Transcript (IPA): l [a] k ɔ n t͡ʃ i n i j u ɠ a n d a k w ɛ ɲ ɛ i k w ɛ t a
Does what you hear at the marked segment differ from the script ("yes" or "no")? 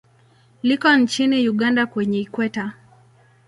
yes